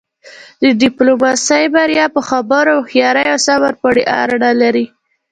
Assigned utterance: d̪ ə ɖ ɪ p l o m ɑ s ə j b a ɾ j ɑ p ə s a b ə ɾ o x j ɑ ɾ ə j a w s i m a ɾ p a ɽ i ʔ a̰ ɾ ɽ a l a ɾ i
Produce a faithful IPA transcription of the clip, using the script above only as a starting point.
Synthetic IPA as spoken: d̪ ə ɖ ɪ p l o m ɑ s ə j b a ɾ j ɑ p ə x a b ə ɾ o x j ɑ ɾ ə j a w s a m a ɾ p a ɽ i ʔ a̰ ɾ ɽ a l a ɾ i